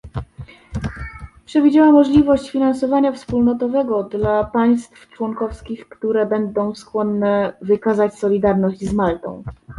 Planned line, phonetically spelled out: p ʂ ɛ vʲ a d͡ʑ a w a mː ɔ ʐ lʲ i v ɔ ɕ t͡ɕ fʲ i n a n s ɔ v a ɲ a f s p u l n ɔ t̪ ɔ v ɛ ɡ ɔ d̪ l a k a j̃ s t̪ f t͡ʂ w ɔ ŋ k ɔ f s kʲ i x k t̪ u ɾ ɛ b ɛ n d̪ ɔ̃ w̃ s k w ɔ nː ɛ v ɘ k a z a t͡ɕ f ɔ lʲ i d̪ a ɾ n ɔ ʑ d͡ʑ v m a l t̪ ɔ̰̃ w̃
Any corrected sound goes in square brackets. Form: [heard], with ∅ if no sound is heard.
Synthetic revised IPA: p ʂ ɛ vʲ [i] d͡ʑ a w a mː ɔ ʐ lʲ i v ɔ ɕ t͡ɕ fʲ i n a n s ɔ v a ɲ a f s p u l n ɔ t̪ ɔ v ɛ ɡ ɔ d̪ l a [p] a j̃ s t̪ f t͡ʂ w ɔ ŋ k ɔ f s kʲ i x k t̪ u ɾ ɛ b ɛ n d̪ ɔ̃ w̃ s k w ɔ nː ɛ v ɘ k a z a t͡ɕ [s] ɔ lʲ i d̪ a ɾ n ɔ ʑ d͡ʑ [z] m a l t̪ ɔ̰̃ w̃